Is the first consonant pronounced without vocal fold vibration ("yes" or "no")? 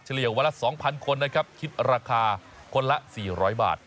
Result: yes